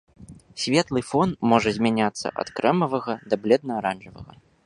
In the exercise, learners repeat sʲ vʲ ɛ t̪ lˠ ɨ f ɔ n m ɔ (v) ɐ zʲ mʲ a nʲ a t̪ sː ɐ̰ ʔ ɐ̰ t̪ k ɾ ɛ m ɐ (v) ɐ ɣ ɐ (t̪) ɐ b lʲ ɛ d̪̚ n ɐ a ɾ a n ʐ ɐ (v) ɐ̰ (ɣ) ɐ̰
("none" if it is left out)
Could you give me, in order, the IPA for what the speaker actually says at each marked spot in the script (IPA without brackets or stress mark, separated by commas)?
ʐ, v, d̪, v, ɣ